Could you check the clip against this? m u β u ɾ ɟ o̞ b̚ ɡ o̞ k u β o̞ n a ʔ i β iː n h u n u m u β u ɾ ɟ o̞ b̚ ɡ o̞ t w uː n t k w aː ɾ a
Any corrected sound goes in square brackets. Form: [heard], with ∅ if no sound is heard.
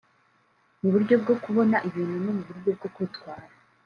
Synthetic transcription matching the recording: m u β u ɾ ɟ o̞ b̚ ɡ o̞ k u β o̞ n a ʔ i β iː n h u n [o] m u β u ɾ ɟ o̞ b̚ ɡ o̞ [k] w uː [∅] t k w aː ɾ a